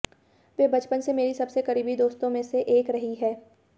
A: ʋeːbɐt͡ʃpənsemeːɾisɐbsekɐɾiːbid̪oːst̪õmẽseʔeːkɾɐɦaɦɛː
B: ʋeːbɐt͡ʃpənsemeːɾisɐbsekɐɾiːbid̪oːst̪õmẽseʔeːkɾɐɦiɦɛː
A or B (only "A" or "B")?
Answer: B